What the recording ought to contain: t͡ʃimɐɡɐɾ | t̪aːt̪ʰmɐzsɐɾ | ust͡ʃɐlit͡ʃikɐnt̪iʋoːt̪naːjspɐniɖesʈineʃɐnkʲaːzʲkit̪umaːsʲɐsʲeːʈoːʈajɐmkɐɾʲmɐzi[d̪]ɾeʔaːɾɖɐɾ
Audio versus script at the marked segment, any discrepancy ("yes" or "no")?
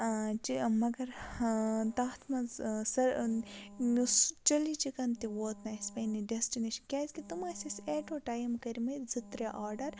yes